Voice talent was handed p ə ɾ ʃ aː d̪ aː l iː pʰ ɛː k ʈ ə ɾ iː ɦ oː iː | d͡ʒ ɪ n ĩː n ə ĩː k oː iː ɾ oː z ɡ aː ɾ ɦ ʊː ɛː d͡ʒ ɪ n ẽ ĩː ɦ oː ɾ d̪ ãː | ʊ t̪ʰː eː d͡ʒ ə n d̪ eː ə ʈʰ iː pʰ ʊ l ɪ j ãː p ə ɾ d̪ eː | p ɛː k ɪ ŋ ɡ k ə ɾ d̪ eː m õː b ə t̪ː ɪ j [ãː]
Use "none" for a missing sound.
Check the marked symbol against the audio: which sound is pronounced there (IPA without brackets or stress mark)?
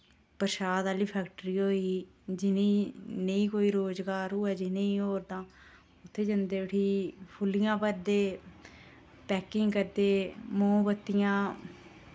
ãː